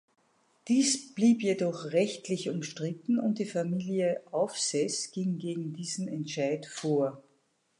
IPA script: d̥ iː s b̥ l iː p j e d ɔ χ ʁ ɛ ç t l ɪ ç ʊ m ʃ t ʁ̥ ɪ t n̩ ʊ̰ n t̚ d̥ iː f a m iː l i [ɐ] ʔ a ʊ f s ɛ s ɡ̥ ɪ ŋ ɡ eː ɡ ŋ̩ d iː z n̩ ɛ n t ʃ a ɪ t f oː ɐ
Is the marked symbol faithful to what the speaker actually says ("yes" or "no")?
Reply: no